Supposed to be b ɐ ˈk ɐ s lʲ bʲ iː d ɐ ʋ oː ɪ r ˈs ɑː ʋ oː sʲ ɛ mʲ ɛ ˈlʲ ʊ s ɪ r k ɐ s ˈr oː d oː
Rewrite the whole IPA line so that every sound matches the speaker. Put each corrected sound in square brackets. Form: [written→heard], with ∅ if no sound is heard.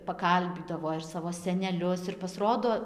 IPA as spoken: [b→p] ɐ ˈk ɐ [s→∅] lʲ bʲ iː d ɐ ʋ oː ɪ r ˈs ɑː ʋ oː sʲ ɛ [mʲ→nʲ] ɛ ˈlʲ ʊ s ɪ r [k→p] ɐ s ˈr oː d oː